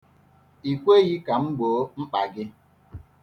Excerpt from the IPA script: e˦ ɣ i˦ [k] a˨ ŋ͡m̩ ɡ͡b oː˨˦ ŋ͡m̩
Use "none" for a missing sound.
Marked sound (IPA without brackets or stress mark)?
k